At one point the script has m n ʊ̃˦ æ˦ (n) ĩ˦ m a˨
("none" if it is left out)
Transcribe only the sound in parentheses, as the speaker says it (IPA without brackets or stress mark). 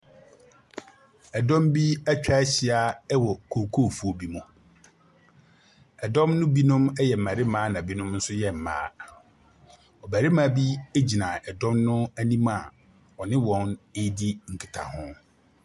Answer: n